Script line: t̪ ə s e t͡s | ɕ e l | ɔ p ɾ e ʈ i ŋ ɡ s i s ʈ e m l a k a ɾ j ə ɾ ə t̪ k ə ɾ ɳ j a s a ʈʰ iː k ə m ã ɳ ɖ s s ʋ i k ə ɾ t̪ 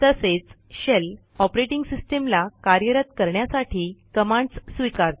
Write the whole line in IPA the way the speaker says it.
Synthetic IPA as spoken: t̪ ə s e t͡s | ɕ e l | ɔ p ɾ e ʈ i ŋ ɡ s i s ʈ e m l a k a ɾ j ə ɾ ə t̪ k ə ɾ ɳ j a s a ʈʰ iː k ə m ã ɳ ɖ s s ʋ i k a ɾ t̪